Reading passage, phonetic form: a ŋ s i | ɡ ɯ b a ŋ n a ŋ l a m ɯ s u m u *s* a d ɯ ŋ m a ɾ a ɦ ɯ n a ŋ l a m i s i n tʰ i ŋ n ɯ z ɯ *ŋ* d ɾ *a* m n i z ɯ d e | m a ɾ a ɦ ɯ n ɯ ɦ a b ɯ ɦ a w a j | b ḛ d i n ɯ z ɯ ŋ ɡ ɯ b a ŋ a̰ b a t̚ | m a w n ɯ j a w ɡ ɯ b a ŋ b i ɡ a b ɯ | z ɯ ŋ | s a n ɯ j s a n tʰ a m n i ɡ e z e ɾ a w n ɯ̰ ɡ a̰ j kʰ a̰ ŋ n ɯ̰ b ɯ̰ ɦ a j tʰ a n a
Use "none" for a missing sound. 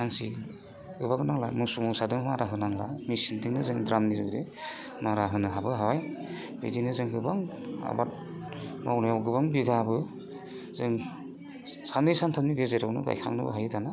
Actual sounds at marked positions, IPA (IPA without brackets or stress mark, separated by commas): s, ŋ, a